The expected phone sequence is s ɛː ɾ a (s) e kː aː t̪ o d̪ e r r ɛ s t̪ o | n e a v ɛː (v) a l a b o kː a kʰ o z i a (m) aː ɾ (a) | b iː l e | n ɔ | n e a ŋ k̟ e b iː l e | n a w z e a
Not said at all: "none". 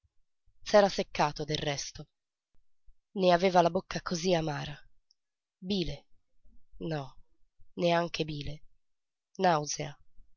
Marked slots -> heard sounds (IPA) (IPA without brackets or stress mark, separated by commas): s, v, m, a